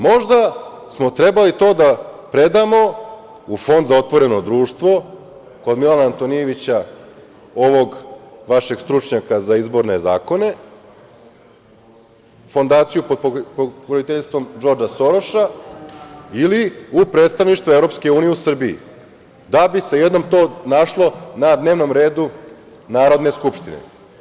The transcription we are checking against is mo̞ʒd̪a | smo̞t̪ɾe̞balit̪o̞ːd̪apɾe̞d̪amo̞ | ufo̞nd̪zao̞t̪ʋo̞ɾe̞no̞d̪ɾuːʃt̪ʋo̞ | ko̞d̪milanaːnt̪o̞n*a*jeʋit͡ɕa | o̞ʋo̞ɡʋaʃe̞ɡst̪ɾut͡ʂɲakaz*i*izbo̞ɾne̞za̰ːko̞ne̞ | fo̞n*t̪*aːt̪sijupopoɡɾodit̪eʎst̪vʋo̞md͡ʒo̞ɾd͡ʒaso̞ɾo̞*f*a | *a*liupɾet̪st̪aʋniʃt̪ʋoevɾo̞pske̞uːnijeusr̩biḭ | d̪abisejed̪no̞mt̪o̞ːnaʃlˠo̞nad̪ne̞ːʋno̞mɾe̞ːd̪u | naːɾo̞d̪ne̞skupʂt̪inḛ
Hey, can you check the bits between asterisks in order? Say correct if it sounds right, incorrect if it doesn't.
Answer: incorrect, incorrect, incorrect, incorrect, incorrect

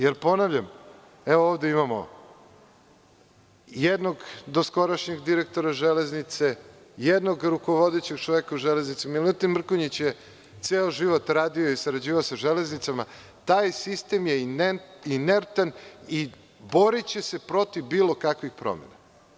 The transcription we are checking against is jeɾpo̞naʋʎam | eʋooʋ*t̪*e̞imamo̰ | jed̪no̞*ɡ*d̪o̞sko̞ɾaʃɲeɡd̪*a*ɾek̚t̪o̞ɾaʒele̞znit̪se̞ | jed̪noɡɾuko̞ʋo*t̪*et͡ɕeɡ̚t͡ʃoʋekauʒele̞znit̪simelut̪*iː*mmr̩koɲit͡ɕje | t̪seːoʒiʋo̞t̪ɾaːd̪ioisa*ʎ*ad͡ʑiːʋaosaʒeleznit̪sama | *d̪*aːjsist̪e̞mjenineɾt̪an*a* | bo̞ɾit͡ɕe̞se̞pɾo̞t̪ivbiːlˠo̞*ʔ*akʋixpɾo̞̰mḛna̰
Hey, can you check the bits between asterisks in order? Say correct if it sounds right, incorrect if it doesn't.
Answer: incorrect, correct, incorrect, incorrect, incorrect, incorrect, incorrect, incorrect, incorrect

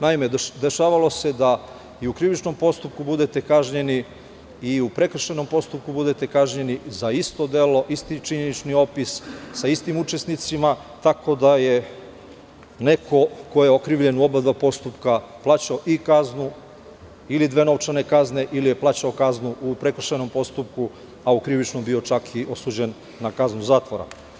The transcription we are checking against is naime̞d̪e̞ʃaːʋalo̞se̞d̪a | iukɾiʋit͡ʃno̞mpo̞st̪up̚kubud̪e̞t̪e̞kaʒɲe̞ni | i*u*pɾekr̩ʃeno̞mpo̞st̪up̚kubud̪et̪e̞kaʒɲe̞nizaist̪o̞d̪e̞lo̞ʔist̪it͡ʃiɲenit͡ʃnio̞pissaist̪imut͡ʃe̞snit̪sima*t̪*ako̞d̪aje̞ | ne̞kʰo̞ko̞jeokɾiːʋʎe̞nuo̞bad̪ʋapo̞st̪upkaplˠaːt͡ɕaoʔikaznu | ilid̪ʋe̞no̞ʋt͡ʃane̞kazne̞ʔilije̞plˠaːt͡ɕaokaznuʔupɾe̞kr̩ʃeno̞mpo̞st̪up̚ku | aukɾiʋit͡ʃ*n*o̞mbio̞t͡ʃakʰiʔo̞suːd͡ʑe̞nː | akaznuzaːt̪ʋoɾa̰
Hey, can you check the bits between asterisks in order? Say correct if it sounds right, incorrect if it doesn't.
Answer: correct, correct, correct

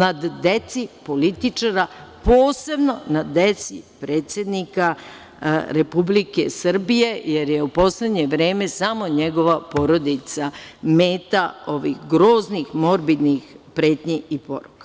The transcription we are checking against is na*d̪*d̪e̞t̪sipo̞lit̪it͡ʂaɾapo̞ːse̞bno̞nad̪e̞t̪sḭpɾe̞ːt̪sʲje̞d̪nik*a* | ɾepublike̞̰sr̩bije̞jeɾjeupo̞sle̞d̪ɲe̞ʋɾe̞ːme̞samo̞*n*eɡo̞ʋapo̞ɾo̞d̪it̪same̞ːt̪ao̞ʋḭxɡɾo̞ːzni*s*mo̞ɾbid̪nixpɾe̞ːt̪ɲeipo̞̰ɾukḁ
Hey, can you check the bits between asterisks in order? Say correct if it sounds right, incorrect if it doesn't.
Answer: correct, correct, incorrect, incorrect

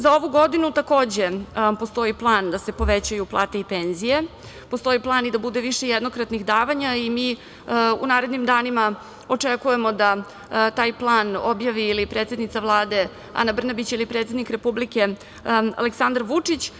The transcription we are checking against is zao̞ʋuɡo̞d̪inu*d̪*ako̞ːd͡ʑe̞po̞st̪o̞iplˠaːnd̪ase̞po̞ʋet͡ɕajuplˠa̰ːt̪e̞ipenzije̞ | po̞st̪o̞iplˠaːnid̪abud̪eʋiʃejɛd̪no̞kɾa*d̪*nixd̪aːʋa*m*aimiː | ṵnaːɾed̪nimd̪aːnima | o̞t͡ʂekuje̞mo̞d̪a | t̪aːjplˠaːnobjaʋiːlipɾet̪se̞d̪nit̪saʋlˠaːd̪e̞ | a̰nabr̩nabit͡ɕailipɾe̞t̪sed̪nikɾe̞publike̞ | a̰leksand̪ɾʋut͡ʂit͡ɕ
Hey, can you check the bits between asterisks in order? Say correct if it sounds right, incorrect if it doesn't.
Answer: incorrect, incorrect, incorrect

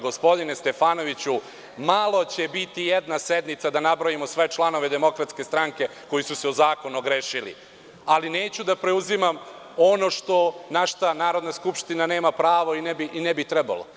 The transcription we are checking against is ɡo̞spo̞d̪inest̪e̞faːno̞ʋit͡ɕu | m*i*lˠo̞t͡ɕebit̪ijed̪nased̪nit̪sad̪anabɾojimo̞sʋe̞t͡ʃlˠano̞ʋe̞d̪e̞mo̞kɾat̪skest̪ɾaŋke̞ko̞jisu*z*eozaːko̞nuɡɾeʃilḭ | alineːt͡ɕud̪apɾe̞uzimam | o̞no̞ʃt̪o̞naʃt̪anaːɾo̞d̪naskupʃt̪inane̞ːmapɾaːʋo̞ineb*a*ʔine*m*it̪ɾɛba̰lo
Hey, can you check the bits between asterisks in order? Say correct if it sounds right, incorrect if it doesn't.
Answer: incorrect, incorrect, incorrect, incorrect

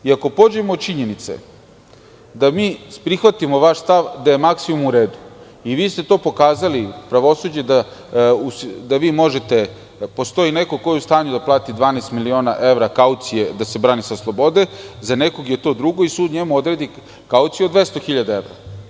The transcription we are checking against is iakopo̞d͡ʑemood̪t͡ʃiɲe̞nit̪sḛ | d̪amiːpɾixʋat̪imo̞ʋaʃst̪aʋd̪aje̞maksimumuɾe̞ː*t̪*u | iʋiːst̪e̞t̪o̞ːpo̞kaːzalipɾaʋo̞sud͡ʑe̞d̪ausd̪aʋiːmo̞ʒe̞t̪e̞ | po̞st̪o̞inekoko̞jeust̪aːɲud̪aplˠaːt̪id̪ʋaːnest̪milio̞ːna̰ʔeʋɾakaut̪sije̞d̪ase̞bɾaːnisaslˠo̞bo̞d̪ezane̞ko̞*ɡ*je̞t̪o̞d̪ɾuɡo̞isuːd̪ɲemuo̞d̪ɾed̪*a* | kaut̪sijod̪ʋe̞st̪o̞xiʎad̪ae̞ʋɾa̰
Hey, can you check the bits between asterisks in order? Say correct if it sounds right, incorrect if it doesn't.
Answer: incorrect, correct, incorrect

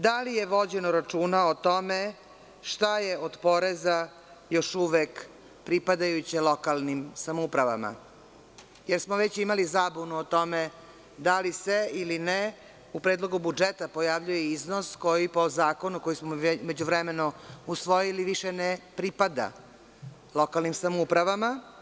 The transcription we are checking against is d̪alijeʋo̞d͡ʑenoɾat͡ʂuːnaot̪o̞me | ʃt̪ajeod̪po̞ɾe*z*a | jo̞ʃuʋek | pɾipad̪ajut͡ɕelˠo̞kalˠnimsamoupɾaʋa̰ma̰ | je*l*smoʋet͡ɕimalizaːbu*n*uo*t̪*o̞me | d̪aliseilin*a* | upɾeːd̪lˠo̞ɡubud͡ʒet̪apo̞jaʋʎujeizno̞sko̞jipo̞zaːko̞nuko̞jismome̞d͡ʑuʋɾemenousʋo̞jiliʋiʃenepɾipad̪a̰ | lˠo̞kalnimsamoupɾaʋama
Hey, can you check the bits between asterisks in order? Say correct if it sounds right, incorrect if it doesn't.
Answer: correct, incorrect, correct, correct, incorrect

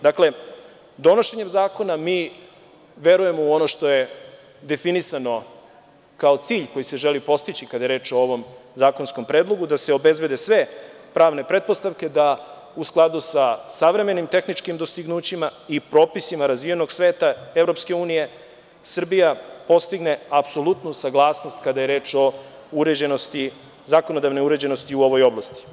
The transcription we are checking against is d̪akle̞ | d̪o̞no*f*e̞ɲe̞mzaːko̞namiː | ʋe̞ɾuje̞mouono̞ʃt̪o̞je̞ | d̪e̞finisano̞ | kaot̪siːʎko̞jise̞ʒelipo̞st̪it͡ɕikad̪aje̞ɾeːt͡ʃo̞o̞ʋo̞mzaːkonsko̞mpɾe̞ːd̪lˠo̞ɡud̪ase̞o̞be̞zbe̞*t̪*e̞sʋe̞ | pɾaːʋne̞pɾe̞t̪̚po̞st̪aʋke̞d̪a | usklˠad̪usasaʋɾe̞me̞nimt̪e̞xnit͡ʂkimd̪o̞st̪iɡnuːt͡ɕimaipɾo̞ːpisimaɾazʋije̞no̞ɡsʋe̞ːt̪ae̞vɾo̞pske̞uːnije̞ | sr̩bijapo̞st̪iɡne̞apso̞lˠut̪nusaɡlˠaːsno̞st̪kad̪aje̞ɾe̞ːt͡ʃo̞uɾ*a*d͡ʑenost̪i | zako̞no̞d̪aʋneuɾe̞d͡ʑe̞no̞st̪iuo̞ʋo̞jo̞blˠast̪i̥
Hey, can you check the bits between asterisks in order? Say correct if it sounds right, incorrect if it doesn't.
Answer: incorrect, incorrect, incorrect

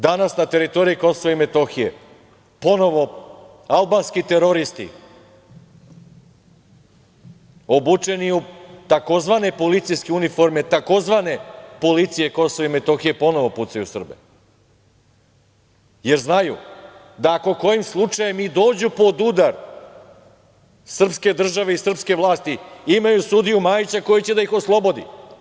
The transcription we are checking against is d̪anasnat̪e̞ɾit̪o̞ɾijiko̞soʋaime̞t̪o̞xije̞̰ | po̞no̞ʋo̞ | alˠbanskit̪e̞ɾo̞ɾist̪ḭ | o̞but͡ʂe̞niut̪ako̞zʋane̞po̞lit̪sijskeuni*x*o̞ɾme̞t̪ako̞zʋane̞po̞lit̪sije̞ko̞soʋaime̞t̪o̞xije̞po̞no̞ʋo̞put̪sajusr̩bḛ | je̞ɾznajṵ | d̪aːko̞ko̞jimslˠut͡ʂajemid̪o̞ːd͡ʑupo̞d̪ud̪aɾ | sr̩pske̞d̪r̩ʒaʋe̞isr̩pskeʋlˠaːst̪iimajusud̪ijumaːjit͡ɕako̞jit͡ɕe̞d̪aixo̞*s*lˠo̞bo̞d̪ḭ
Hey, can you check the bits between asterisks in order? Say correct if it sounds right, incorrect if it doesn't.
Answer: incorrect, correct

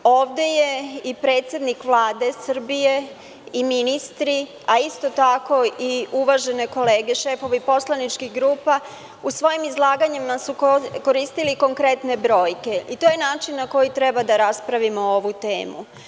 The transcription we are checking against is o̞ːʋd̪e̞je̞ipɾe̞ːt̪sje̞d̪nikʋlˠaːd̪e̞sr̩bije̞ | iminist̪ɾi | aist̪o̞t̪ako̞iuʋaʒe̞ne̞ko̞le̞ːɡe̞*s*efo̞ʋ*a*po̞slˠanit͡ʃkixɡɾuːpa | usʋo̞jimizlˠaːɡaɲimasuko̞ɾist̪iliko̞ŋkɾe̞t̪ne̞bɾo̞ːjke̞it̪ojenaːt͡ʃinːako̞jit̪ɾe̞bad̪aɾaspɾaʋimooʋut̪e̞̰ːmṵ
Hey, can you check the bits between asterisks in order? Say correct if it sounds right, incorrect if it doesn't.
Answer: incorrect, incorrect

